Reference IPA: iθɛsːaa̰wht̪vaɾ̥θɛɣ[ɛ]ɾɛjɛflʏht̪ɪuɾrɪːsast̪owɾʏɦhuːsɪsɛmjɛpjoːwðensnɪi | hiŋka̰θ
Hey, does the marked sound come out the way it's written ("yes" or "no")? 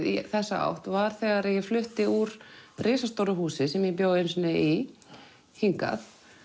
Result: no